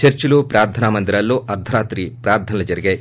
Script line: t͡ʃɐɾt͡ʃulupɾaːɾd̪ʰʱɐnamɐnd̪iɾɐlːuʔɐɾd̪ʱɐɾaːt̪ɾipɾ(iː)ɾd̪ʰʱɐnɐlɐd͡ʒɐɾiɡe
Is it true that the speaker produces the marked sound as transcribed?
no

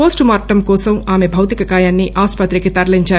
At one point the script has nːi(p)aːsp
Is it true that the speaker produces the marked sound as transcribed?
no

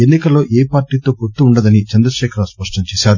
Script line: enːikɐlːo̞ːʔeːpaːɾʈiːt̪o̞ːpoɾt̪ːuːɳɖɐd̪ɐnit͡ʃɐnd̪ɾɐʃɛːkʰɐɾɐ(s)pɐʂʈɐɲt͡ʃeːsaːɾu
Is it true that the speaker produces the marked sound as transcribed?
yes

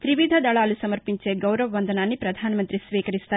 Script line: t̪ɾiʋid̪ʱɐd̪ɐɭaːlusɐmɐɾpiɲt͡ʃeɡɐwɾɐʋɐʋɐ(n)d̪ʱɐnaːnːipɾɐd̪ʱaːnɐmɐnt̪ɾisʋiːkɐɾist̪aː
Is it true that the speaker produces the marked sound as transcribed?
yes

